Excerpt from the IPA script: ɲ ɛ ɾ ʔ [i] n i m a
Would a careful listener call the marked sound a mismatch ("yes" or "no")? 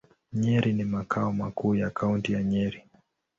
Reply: no